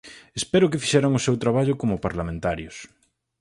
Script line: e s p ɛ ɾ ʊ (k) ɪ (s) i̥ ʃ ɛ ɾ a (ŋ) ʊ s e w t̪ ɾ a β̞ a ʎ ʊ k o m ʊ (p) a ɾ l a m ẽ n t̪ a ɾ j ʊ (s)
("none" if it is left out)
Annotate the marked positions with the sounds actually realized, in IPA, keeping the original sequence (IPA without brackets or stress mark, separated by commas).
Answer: k, f, ŋ, p, s